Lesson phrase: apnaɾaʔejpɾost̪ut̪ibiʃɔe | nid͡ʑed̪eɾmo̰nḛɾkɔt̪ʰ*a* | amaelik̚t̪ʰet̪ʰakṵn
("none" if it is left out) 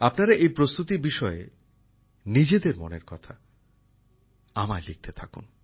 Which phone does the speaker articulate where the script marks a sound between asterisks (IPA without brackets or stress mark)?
a